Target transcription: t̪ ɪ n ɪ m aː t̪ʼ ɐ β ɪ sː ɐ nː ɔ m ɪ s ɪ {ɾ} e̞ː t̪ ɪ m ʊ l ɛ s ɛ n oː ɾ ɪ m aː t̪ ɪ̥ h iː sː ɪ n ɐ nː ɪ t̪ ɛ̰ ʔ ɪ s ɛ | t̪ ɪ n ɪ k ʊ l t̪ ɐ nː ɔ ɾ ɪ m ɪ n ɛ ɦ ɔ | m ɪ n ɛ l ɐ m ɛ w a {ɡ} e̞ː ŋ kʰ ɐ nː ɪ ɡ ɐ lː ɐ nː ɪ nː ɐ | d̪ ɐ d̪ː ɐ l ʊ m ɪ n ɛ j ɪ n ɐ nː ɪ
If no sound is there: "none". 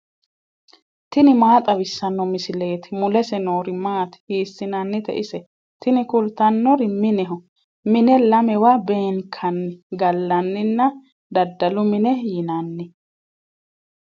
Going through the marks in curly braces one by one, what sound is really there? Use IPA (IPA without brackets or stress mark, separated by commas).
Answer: l, b